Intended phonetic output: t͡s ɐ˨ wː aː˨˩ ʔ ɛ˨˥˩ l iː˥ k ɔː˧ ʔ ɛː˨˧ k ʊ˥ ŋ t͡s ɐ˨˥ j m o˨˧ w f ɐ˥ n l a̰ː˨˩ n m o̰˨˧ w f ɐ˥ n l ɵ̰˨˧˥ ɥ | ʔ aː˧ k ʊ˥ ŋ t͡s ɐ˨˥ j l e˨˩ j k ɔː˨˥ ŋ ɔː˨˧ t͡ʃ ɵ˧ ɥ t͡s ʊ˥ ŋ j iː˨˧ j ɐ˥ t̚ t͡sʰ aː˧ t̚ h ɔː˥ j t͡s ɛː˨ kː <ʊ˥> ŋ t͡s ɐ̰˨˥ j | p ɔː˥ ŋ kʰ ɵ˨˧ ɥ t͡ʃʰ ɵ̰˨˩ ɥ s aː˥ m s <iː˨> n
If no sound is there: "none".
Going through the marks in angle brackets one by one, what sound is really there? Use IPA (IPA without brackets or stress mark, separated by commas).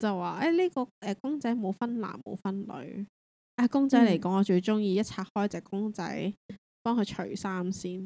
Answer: ʊ˥, iː˥